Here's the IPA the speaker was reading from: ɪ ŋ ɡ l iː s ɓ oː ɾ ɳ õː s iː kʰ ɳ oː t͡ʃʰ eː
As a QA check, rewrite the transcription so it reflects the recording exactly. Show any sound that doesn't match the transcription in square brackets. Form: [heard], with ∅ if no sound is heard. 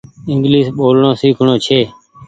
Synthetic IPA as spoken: ɪ ŋ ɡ l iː s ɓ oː [l] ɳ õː s iː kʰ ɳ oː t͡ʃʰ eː